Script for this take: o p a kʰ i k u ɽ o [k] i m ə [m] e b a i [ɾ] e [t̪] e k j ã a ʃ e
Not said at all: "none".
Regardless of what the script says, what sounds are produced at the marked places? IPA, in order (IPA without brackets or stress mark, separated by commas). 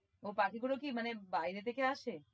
k, n, ɾ, t̪